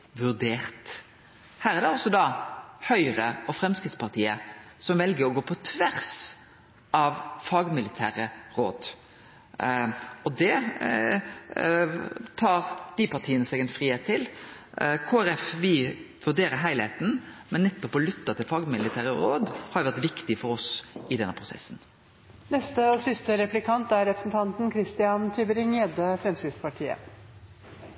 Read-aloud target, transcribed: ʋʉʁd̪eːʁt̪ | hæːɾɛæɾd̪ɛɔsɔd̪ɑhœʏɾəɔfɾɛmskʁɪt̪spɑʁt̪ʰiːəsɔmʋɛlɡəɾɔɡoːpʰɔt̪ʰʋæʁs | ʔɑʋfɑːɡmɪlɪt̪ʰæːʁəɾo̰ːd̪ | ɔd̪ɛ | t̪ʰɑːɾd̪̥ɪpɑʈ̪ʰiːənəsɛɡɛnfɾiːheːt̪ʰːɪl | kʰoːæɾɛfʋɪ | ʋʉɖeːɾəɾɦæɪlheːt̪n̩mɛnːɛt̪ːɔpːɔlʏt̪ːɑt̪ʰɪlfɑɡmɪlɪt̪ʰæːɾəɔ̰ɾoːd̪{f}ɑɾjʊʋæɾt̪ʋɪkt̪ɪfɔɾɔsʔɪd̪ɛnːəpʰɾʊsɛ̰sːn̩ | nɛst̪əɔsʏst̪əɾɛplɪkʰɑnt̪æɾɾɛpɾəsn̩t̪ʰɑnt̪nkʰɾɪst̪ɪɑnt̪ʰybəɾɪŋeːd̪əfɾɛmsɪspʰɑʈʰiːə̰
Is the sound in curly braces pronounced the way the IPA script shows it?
no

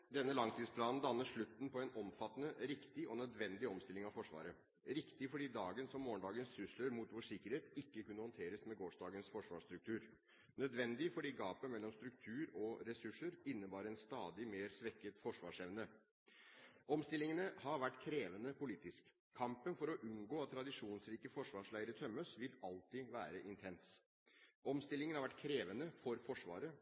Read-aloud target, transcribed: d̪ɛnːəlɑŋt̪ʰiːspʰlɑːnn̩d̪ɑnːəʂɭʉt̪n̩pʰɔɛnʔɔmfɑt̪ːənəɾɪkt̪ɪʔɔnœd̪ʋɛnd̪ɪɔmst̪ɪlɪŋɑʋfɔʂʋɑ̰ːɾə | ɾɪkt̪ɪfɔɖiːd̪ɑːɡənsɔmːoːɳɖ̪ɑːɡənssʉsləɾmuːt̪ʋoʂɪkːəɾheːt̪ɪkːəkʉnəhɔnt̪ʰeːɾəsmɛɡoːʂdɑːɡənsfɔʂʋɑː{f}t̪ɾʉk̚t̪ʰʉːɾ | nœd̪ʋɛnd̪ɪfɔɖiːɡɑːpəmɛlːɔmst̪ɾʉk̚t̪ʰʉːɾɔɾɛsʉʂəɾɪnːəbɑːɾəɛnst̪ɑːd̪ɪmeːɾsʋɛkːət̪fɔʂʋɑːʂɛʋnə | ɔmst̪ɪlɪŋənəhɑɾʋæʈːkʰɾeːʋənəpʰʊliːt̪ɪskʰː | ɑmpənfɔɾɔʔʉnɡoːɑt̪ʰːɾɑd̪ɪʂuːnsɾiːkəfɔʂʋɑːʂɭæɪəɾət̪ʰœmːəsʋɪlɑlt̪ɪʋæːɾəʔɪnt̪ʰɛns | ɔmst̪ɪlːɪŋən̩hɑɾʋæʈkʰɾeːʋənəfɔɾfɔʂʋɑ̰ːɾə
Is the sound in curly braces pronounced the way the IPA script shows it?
no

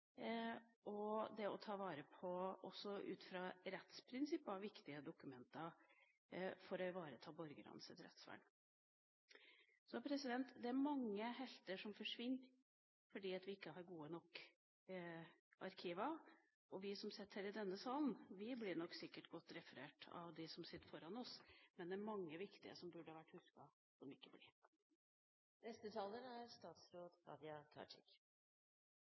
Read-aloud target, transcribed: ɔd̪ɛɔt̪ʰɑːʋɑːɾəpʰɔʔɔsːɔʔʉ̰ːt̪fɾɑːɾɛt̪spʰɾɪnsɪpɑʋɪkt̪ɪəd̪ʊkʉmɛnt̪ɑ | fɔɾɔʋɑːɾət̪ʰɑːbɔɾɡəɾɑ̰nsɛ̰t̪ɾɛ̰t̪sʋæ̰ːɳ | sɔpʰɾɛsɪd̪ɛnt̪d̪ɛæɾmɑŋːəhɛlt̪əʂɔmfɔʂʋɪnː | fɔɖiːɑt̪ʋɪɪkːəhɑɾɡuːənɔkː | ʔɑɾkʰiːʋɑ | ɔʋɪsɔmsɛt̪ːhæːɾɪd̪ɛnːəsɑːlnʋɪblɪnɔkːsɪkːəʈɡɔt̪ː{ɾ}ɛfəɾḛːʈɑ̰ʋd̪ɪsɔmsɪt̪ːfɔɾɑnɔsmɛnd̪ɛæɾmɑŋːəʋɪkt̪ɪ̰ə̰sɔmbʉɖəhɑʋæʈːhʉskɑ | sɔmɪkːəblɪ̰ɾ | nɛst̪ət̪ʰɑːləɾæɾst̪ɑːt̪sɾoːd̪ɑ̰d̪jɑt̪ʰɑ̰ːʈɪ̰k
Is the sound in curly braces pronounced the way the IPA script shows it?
yes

